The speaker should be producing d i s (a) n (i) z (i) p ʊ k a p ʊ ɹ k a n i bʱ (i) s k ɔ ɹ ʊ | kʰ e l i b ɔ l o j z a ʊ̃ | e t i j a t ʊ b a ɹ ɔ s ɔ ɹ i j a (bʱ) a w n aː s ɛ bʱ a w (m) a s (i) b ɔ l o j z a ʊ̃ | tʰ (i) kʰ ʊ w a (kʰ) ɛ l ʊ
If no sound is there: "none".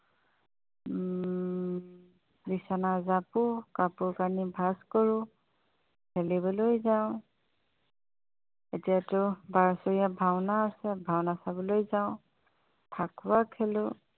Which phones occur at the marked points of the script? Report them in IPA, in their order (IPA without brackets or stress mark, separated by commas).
a, a, a, a, bʱ, n, a, a, kʰ